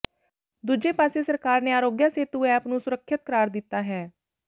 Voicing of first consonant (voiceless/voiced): voiced